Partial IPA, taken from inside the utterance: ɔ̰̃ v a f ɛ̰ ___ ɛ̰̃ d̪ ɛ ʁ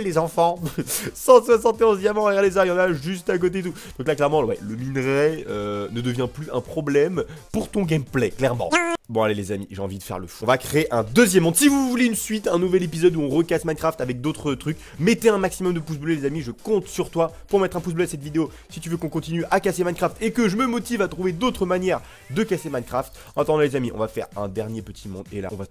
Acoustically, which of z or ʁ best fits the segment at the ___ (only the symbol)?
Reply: ʁ